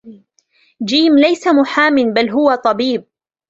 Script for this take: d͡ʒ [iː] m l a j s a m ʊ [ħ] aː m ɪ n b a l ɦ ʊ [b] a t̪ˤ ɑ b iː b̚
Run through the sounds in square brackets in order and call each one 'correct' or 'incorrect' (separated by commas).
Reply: correct, correct, incorrect